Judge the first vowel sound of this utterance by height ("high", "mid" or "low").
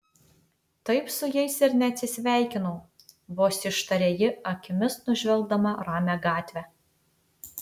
low